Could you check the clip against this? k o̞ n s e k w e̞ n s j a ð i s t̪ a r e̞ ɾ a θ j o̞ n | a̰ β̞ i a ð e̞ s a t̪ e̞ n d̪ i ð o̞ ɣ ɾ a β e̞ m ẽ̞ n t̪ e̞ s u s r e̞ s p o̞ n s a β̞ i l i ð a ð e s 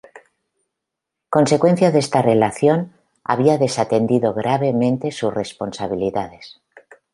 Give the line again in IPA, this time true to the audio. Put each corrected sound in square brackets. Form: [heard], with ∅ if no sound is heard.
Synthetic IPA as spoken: k o̞ n s e k w e̞ n [θ] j a ð [e] s t̪ a r e̞ [l] a θ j o̞ n | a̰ β̞ i a ð e̞ s a t̪ e̞ n d̪ i ð o̞ ɣ ɾ a β e̞ m ẽ̞ n t̪ e̞ s u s r e̞ s p o̞ n s a β̞ i l i ð a ð e s

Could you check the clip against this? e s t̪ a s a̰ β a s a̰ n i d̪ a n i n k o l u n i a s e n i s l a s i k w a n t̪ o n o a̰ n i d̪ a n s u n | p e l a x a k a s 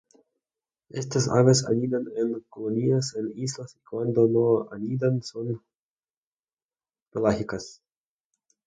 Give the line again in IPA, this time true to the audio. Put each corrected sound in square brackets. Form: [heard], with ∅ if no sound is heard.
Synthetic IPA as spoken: e s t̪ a s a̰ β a s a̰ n i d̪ a n [e] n k o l [o] n i a s e n i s l a s i k w a n [d̪] o n o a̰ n i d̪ a n s [o] n | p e l a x [i] k a s

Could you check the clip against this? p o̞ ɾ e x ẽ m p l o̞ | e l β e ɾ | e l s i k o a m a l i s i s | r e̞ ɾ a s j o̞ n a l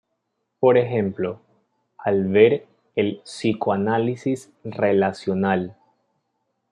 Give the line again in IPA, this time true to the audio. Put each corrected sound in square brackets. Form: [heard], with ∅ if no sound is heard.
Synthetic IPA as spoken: p o̞ ɾ e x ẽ m p l o̞ | [a] l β e ɾ | e l s i k o a [n] a l i s i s | r e̞ [l] a s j o̞ n a l

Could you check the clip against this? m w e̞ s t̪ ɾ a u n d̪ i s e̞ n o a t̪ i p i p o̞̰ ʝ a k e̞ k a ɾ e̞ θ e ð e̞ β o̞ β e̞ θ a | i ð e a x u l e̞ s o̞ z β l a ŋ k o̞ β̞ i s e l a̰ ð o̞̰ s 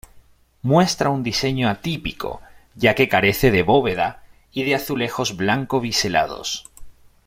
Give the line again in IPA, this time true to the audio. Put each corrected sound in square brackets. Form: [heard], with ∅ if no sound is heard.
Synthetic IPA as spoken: m w e̞ s t̪ ɾ a u n d̪ i s e̞ [ɲ] o a t̪ i p i [k] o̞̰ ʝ a k e̞ k a ɾ e̞ θ e ð e̞ β o̞ β e̞ [ð] a | i ð e a [θ] u l e̞ [x] o̞ z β l a ŋ k o̞ β̞ i s e l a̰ ð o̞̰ s

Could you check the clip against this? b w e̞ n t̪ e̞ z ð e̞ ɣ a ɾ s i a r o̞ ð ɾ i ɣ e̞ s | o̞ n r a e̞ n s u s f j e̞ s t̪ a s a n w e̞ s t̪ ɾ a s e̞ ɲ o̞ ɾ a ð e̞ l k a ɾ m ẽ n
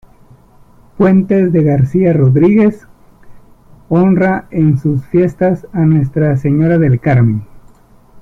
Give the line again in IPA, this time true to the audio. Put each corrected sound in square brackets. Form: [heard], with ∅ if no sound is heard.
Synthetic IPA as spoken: [p] w e̞ n t̪ e̞ z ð e̞ ɣ a ɾ s i a r o̞ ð ɾ i ɣ e̞ s | o̞ n r a e̞ n s u s f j e̞ s t̪ a s a n w e̞ s t̪ ɾ a s e̞ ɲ o̞ ɾ a ð e̞ l k a ɾ m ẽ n

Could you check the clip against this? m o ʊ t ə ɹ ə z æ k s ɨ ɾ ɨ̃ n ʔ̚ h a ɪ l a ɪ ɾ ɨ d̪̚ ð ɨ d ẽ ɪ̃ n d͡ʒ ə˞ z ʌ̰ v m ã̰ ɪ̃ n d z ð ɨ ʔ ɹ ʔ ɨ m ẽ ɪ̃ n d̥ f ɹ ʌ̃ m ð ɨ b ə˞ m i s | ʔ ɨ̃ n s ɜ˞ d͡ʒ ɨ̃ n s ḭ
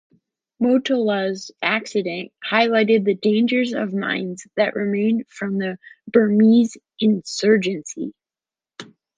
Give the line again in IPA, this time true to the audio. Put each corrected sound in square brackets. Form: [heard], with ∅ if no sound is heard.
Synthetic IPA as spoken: m o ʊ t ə [l] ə z æ k s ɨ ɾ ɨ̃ n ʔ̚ h a ɪ l a ɪ ɾ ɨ d̪̚ ð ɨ d ẽ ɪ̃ n d͡ʒ ə˞ z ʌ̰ v m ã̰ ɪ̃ n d z ð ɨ ʔ ɹ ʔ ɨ m ẽ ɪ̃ n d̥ f ɹ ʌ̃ m ð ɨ b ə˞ m i [z] | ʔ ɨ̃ n s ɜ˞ d͡ʒ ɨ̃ n s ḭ

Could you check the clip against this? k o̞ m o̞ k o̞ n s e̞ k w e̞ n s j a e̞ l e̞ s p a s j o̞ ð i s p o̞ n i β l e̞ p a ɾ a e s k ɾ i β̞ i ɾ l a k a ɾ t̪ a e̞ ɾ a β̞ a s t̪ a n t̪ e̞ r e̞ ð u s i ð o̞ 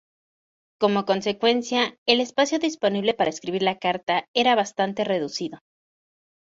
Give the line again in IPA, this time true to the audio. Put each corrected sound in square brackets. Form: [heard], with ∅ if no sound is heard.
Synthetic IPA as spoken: k o̞ m o̞ k o̞ n s e̞ k w e̞ n s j a e̞ l e̞ s p a s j o̞ ð i s p o̞ n i β l e̞ p a ɾ a e s k ɾ i β̞ i ɾ l a k a ɾ t̪ a e̞ ɾ a β̞ a s t̪ a n t̪ e̞ r e̞ ð u s i ð o̞

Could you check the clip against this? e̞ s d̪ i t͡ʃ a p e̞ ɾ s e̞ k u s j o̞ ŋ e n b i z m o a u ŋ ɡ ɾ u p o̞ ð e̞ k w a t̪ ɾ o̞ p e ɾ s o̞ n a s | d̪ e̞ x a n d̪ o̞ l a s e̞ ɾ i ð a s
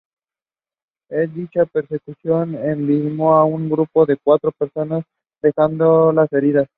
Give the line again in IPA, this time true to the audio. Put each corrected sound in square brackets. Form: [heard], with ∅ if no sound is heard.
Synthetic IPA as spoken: e̞ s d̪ i t͡ʃ a p e̞ ɾ s e̞ k u s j o̞ [n] e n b i z m o a u ŋ ɡ ɾ u p o̞ ð e̞ k w a t̪ ɾ o̞ p e ɾ s o̞ n a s | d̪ e̞ x a n d̪ o̞ l a s e̞ ɾ i ð a s

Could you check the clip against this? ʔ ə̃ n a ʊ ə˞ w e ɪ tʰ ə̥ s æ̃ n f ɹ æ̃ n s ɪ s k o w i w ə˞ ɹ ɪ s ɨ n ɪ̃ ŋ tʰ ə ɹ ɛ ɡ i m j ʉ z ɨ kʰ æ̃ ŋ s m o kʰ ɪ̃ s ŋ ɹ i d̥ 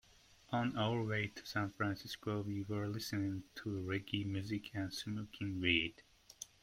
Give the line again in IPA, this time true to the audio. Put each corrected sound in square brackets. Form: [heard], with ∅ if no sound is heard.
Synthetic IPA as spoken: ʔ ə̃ n a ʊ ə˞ w e ɪ tʰ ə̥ s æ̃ n f ɹ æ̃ n s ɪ s k o w i w ə˞ [l] ɪ s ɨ n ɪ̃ ŋ tʰ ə ɹ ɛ ɡ i m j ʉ z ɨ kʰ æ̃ [n] s m o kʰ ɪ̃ [∅] ŋ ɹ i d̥

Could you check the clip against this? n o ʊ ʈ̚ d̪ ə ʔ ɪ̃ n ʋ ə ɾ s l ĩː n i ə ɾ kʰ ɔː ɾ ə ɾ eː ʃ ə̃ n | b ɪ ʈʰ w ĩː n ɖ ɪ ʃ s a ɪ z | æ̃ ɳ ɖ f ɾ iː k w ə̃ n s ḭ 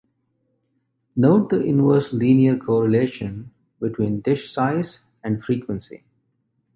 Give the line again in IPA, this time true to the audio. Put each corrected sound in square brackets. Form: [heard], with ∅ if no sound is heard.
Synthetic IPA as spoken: n o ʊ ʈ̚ d̪ ə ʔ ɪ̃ n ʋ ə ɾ s l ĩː n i ə ɾ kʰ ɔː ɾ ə [l] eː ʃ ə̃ n | b ɪ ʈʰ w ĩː n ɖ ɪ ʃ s a ɪ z | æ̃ ɳ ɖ f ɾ iː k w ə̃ n s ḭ

